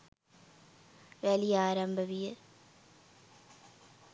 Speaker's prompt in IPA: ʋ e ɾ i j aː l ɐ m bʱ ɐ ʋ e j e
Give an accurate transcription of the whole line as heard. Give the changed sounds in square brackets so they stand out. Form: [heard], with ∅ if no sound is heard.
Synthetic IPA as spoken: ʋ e [l] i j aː [ɾ] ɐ m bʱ ɐ ʋ [i] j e